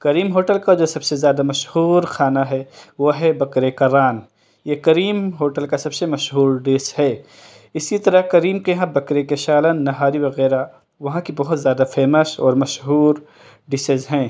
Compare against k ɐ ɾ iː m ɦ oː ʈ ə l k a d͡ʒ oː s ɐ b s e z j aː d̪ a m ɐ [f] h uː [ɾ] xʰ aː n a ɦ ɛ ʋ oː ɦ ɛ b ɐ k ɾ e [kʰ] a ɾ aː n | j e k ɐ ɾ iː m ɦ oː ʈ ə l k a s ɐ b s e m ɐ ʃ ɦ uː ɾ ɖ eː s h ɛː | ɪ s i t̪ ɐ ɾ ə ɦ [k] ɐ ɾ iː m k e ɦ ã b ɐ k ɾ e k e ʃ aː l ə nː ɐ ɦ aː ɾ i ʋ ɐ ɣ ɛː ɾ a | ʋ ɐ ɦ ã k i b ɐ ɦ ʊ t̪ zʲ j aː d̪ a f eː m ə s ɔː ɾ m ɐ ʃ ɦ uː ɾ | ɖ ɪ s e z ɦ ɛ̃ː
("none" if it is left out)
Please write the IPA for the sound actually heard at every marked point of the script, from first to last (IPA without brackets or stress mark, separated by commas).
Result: ʃ, ɾ, k, k